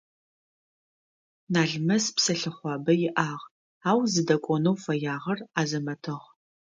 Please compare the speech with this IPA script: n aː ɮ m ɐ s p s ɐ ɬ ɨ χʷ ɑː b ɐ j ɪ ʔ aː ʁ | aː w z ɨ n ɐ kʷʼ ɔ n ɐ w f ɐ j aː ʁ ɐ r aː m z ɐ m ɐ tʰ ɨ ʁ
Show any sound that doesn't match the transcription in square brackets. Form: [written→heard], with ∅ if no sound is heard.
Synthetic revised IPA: n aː ɮ m ɐ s p s ɐ ɬ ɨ χʷ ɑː b ɐ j ɪ ʔ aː ʁ | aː w z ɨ [n→d] ɐ kʷʼ ɔ n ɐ w f ɐ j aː ʁ ɐ r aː [m→∅] z ɐ m ɐ tʰ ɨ ʁ